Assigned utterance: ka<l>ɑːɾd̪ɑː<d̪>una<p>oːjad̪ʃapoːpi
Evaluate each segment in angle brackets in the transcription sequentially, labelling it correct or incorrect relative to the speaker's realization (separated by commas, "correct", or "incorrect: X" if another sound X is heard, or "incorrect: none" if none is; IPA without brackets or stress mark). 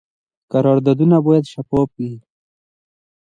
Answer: incorrect: ɾ, correct, incorrect: b